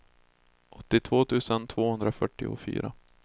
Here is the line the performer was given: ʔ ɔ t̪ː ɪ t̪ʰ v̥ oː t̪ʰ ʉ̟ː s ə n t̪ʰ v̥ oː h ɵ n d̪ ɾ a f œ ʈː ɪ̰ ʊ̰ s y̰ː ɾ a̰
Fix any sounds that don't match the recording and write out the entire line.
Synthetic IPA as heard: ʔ ɔ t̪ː ɪ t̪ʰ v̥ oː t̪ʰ ʉ̟ː s ə n t̪ʰ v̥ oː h ɵ n d̪ ɾ a f œ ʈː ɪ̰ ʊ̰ f y̰ː ɾ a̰